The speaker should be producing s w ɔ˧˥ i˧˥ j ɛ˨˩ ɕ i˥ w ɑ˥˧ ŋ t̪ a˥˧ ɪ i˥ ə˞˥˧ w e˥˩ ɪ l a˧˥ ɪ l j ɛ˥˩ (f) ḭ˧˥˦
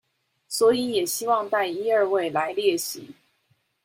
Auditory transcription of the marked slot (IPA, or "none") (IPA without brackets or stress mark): ɕ